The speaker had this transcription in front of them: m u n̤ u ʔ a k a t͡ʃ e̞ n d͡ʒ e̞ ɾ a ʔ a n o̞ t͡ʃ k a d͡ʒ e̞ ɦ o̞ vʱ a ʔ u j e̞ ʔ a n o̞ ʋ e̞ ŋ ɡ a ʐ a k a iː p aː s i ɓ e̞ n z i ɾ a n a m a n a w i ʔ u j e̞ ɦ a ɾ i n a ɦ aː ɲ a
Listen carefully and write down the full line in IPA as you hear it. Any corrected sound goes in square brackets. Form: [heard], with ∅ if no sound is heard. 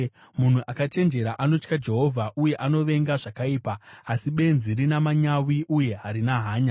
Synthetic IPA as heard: m u n̤ u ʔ a k a t͡ʃ e̞ n d͡ʒ e̞ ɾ a ʔ a n o̞ t͡ʃ k a d͡ʒ e̞ ɦ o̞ vʱ a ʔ u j e̞ ʔ a n o̞ ʋ e̞ ŋ ɡ a ʐ a k a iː p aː s i ɓ e̞ n z i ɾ [i] n a m a [ɲ] a w i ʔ u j e̞ ɦ a ɾ i n a ɦ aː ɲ a

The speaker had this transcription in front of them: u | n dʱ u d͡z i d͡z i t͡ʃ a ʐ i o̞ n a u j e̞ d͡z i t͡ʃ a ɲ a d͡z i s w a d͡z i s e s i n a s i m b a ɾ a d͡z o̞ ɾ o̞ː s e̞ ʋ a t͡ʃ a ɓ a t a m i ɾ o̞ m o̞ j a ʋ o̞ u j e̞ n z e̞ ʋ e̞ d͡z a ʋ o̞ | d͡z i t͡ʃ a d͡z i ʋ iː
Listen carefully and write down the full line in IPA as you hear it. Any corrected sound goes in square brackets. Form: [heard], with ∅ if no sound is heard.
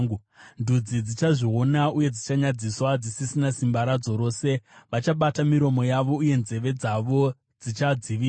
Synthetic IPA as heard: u | n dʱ u d͡z i d͡z i t͡ʃ a ʐ i o̞ n a u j e̞ d͡z i t͡ʃ a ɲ a d͡z i s w a d͡z i s [i] s i n a s i m b a ɾ a d͡z o̞ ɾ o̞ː s e̞ ʋ a t͡ʃ a ɓ a t a m i ɾ o̞ m o̞ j a ʋ o̞ u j e̞ n z e̞ ʋ e̞ d͡z a ʋ o̞ | d͡z i t͡ʃ a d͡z i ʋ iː

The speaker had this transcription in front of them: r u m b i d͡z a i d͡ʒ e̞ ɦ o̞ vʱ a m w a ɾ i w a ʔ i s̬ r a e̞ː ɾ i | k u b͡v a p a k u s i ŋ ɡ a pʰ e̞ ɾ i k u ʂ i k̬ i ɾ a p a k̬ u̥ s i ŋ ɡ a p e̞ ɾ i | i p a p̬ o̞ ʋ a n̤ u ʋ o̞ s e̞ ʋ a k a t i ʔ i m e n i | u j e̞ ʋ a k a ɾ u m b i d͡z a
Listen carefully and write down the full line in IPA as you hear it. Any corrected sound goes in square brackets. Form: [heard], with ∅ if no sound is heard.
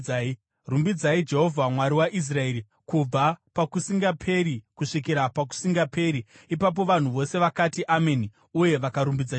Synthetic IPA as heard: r u m b i d͡z a i d͡ʒ e̞ ɦ o̞ vʱ a m w a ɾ i w a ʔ i s̬ r a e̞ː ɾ i | k u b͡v a p a k u s i ŋ ɡ a pʰ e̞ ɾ i k u ʂ i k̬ i ɾ a p a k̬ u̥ s i ŋ ɡ a p e̞ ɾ i | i p a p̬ o̞ ʋ a n̤ u ʋ o̞ s e̞ ʋ a k a t i ʔ [a] m e n i | u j e̞ ʋ a k a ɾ u m b i d͡z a

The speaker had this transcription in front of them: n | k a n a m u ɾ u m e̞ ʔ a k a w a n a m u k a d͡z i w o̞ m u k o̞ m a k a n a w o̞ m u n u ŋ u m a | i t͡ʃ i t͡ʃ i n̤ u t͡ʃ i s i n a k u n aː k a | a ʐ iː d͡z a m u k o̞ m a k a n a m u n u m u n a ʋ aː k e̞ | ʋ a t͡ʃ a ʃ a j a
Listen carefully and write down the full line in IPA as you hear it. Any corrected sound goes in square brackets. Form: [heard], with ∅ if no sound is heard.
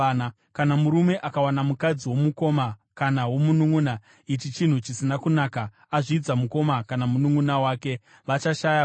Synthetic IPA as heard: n | k a n a m u ɾ u m e̞ ʔ a k a w a n a m u k a d͡z i w o̞ m u k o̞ m a k a n a w o̞ m u n u ŋ u [n] a | i t͡ʃ i t͡ʃ i n̤ u t͡ʃ i s i n a k u n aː k a | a ʐ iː d͡z a m u k o̞ m a k a n a m u n u [ŋ] u n a [w] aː k e̞ | ʋ a t͡ʃ a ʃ a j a

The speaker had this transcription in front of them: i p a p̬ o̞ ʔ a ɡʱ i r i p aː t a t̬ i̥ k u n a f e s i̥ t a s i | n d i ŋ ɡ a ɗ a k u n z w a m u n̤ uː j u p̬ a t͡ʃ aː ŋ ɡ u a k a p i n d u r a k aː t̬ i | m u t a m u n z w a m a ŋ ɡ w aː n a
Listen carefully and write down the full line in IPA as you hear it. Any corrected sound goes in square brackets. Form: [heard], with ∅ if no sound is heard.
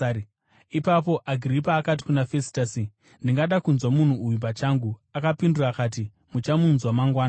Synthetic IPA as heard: i p a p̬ o̞ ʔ a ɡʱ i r i p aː [k] a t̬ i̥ k u n a f e s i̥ t a s i | n d i ŋ ɡ a ɗ a k u n z w a m u n̤ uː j u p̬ a t͡ʃ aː ŋ ɡ u a k a p i n d u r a k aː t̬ i | m u [t͡ʃ] a m u n z w a m a ŋ ɡ w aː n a

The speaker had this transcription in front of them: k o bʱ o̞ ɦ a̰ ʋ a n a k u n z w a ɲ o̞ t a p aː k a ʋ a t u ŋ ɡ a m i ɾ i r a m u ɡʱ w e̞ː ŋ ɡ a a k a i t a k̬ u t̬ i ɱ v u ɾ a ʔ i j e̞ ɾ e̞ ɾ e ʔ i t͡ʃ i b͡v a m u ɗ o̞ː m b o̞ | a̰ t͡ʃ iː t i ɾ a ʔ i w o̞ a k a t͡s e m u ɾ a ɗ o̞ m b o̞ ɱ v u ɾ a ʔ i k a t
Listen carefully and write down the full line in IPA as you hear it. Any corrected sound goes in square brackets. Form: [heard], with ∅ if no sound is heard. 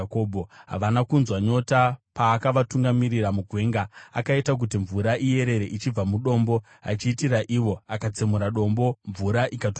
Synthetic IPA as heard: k o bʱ o̞ ɦ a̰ ʋ a n a k u n z w a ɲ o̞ t a p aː k a ʋ a t u ŋ ɡ a m i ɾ i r a m u ɡʱ w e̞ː ŋ ɡ a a k a i t a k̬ u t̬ i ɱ v u ɾ a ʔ i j e̞ ɾ e̞ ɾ e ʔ i t͡ʃ i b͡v a m u ɗ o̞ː m b o̞ | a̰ t͡ʃ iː t i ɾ a ʔ i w o̞ a k a t͡s e m u ɾ a ɗ o̞ m b o̞ ɱ v u ɾ a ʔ i k a t

